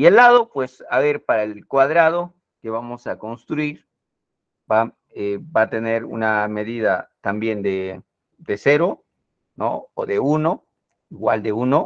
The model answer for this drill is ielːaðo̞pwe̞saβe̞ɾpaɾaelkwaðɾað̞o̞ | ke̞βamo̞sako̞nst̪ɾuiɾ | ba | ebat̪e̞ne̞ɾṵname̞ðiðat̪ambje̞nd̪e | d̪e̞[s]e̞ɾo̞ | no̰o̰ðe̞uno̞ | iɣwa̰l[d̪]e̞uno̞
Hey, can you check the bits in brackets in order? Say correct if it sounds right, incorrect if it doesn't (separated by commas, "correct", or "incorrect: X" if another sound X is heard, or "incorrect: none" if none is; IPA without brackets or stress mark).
correct, correct